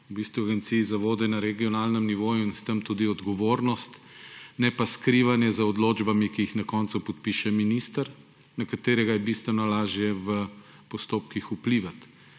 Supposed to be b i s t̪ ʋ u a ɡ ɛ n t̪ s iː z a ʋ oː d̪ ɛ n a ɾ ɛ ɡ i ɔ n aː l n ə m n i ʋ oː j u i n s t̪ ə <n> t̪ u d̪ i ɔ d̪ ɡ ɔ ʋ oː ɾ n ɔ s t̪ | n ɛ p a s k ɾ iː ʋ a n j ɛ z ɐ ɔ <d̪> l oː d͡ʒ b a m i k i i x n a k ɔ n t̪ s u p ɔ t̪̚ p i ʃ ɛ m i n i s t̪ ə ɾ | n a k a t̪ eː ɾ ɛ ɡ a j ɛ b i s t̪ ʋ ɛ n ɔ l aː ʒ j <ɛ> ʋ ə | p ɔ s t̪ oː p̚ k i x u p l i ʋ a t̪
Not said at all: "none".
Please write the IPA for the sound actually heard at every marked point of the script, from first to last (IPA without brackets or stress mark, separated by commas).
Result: m, d̪, ɛ